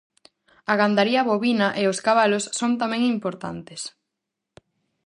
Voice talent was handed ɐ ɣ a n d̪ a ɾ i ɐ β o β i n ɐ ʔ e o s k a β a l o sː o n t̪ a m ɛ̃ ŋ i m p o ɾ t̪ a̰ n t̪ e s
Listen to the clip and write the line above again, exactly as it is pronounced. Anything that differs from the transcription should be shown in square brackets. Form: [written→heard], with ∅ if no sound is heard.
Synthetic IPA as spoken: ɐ ɣ a n d̪ a ɾ i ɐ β o β i n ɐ ʔ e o s k a β a l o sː o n t̪ a m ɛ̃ ŋ i m p o ɾ t̪ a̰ n t̪ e s